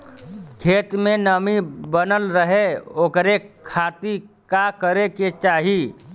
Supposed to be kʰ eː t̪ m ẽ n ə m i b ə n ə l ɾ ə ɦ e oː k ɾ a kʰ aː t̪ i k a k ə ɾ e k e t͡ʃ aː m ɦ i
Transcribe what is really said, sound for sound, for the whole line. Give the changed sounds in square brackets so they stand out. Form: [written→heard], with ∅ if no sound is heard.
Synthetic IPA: kʰ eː t̪ m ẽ n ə m i b ə n ə l ɾ ə ɦ e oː k ɾ [a→e] kʰ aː t̪ i k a k ə ɾ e k e t͡ʃ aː [m→∅] ɦ i